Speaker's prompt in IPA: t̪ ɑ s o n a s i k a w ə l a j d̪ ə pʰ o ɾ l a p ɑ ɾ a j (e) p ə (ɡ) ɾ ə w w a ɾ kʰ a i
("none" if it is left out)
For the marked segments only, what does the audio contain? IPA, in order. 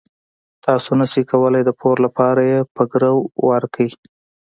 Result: e, ɡ

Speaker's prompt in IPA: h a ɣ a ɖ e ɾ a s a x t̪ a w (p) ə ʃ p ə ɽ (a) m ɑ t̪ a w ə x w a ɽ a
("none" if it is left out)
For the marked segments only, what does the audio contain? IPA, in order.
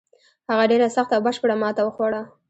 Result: b, a

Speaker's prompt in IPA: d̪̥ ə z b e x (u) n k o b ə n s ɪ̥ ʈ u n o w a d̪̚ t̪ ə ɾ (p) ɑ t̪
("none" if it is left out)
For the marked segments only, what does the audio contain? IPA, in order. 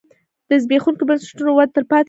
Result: u, p

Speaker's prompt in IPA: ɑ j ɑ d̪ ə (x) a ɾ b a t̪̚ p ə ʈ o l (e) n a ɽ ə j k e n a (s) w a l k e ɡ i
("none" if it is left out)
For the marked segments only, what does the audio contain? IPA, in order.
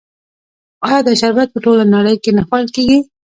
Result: ʃ, a, x

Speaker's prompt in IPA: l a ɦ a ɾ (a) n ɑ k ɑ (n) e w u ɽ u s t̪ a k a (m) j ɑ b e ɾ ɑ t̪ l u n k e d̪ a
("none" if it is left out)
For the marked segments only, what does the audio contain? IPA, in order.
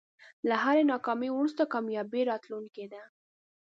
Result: e, m, m

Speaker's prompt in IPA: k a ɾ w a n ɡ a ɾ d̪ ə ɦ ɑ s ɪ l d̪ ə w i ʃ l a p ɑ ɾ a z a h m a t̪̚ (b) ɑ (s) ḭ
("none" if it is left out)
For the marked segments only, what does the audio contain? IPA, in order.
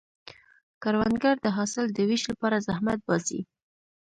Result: b, s

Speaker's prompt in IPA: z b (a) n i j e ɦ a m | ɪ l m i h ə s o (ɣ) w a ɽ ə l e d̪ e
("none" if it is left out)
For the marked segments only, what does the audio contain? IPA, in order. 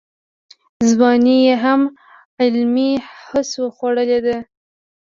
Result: ɑ, x

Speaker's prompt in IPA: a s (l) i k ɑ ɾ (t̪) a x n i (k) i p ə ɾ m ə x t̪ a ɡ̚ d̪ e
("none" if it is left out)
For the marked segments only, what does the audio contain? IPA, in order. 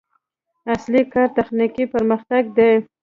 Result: l, t̪, k

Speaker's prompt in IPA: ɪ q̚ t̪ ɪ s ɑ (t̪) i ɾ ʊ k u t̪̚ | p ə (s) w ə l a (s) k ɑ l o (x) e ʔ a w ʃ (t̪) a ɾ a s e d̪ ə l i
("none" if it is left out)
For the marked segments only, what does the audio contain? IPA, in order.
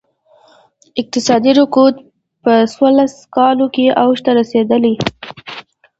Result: d̪, s, s, k, t̪

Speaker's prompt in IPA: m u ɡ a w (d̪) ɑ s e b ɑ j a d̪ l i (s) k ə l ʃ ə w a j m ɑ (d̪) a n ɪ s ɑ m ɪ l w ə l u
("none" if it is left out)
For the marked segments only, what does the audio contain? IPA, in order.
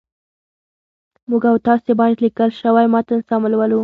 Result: t̪, none, t̪

